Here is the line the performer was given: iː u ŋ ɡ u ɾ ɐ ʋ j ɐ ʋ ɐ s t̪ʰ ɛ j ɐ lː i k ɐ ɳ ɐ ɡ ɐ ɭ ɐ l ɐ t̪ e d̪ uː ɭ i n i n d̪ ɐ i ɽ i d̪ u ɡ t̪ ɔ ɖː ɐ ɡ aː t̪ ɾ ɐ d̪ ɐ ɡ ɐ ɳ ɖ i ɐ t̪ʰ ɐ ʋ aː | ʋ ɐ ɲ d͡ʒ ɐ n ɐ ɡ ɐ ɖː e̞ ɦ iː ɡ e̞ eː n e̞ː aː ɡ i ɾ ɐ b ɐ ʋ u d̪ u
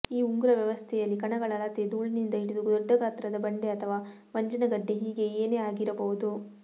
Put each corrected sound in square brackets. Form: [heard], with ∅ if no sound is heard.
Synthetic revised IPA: iː u ŋ ɡ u ɾ ɐ ʋ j ɐ ʋ ɐ s t̪ʰ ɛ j ɐ lː i k ɐ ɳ ɐ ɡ ɐ ɭ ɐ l ɐ t̪ e d̪ uː ɭ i n i n d̪ ɐ i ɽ i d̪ u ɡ [d̪] ɔ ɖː ɐ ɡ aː t̪ ɾ ɐ d̪ ɐ [b] ɐ ɳ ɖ [e] ɐ t̪ʰ ɐ ʋ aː | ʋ ɐ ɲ d͡ʒ ɐ n ɐ ɡ ɐ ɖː e̞ ɦ iː ɡ e̞ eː n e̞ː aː ɡ i ɾ ɐ b ɐ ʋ u d̪ u